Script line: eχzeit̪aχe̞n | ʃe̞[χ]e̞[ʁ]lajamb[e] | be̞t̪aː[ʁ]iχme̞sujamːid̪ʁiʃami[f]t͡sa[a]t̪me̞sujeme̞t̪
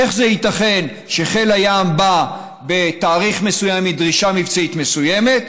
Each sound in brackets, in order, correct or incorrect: correct, incorrect, incorrect, correct, incorrect, incorrect

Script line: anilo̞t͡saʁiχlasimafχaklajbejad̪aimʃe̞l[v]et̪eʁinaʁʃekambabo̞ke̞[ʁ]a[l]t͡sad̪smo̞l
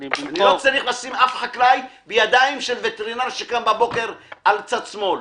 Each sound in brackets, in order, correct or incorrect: correct, correct, correct

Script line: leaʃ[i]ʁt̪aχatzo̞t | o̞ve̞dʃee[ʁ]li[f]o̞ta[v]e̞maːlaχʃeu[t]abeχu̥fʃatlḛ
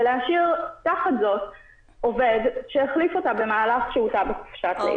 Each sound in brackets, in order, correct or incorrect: correct, incorrect, correct, incorrect, correct

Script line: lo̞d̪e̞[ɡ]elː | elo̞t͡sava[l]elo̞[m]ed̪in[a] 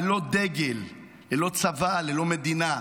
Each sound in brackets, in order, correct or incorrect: correct, correct, correct, correct

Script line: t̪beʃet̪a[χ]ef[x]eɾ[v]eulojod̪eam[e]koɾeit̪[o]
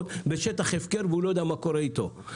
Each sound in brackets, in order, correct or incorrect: correct, incorrect, correct, incorrect, correct

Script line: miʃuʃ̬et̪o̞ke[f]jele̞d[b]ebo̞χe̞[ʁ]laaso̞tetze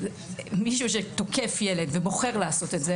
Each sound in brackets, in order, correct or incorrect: correct, incorrect, correct

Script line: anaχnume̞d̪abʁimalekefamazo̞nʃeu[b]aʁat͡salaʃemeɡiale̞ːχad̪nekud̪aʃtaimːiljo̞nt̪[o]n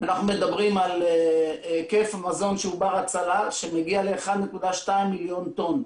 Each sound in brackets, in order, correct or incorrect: correct, correct

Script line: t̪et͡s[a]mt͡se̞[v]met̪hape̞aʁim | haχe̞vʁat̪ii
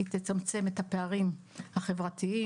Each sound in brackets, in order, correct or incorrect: correct, incorrect

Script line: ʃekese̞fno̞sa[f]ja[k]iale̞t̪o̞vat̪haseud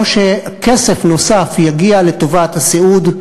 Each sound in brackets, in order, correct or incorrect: correct, incorrect

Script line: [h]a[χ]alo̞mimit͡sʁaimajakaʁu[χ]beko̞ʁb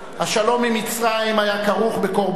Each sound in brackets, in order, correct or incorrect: correct, incorrect, correct

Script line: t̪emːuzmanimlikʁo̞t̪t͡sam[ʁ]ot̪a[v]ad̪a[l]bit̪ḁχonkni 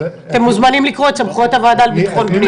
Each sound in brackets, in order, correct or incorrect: incorrect, correct, correct

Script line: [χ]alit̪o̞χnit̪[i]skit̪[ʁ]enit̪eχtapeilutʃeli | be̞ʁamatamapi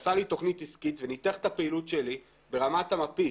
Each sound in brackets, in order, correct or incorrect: incorrect, correct, incorrect

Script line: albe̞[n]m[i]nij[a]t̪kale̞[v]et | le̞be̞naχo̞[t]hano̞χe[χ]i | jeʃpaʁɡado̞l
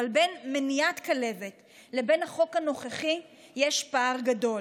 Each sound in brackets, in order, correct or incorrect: correct, incorrect, correct, correct, incorrect, correct

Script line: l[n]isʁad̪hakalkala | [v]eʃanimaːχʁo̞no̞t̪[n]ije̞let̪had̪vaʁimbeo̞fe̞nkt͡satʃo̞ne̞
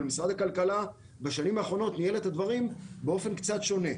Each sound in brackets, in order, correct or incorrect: incorrect, incorrect, correct

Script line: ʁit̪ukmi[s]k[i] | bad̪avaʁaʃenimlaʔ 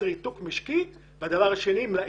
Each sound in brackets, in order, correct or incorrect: incorrect, correct

